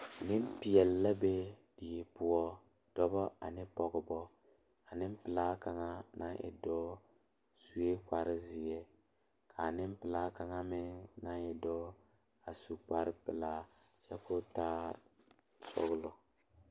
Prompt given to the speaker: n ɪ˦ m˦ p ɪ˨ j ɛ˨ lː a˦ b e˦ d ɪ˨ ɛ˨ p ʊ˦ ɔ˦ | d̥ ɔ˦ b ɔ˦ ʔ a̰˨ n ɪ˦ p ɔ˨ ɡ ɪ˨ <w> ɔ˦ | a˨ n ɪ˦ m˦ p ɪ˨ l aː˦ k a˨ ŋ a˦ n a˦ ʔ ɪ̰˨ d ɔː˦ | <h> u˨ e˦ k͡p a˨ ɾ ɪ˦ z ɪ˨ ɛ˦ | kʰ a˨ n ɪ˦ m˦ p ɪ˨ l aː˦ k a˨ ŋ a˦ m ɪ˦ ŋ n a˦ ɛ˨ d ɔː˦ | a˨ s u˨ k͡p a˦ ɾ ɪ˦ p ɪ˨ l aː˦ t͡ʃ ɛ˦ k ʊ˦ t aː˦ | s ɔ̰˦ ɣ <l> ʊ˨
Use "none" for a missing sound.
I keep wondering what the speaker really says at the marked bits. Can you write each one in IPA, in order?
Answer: b, s, l

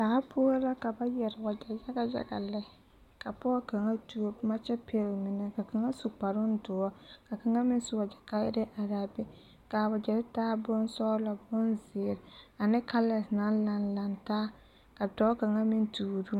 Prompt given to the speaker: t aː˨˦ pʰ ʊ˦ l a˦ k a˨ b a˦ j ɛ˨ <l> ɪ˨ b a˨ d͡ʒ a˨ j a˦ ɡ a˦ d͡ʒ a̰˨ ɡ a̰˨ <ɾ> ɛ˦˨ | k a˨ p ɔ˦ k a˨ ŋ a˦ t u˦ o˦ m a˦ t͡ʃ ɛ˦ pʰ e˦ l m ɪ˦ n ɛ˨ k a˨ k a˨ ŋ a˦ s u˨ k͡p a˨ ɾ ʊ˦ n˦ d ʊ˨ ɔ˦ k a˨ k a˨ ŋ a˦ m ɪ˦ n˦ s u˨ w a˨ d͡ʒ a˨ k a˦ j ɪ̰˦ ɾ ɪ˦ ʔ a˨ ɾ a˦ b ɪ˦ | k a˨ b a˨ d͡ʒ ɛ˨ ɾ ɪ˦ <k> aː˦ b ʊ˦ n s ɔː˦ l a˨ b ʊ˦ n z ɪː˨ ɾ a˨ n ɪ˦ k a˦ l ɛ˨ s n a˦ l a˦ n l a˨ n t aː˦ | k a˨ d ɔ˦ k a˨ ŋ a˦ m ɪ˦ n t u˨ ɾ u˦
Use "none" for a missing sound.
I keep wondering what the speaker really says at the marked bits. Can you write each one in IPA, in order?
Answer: ɾ, l, t

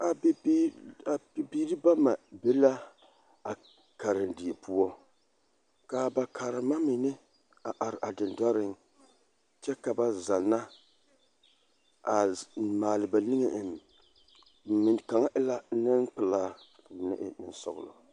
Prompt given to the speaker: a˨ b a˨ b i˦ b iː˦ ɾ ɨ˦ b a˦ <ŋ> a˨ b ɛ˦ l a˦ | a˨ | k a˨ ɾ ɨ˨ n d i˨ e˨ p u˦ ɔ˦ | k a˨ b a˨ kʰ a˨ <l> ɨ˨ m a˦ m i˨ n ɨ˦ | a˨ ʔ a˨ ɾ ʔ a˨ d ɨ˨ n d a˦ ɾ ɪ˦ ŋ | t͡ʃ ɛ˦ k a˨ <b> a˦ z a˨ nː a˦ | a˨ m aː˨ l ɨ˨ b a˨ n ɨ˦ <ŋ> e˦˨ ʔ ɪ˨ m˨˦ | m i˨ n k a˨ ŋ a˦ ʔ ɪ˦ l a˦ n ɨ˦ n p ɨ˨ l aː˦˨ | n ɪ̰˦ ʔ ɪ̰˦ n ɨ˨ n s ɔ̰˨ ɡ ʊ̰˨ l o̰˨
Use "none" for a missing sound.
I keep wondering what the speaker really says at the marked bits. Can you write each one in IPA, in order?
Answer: m, ɾ, b, ŋ

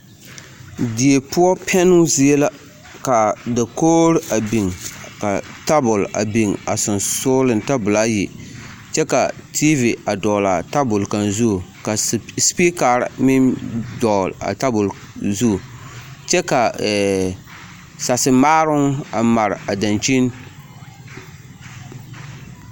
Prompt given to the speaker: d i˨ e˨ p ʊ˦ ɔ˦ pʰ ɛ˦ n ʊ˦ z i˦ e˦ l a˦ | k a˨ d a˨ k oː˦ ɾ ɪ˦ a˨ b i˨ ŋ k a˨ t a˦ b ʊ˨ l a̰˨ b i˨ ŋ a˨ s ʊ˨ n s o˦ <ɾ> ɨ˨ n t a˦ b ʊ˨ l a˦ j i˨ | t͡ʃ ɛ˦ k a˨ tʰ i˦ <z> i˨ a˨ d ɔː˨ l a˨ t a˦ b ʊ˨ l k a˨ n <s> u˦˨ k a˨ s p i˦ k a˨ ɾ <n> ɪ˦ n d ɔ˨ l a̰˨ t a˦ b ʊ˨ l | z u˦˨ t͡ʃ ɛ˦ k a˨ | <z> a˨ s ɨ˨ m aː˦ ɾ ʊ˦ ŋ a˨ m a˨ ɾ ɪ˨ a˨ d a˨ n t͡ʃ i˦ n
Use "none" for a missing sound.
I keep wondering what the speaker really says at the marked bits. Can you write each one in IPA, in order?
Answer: l, v, z, m, s

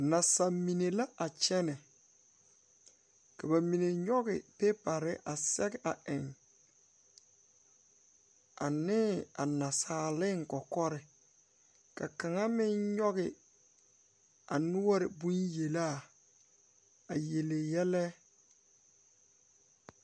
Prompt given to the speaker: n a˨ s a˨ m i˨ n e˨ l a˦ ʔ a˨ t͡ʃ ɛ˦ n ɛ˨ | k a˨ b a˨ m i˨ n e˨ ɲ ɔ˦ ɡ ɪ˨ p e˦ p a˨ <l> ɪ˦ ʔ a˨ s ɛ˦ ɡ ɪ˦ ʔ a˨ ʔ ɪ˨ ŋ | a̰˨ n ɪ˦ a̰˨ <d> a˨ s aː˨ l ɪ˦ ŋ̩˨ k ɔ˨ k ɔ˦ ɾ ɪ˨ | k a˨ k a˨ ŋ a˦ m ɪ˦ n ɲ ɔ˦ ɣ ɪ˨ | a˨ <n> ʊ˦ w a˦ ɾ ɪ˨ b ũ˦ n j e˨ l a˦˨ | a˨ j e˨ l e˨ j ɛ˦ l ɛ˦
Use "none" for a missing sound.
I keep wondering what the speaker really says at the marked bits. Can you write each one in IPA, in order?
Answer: ɾ, n, n

